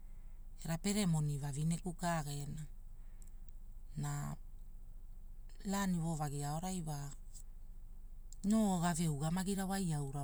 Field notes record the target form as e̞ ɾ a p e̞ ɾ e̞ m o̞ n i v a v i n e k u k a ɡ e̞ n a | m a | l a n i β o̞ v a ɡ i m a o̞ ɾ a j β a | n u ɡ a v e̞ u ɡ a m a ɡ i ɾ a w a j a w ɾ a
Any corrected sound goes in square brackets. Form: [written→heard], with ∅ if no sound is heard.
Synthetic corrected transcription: e̞ ɾ a p e̞ ɾ e̞ m o̞ n i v a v i n e k u k a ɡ e̞ n a | [m→n] a | l a n i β o̞ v a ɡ i [m→∅] a o̞ ɾ a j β a | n [u→o] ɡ a v e̞ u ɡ a m a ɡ i ɾ a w a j a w ɾ a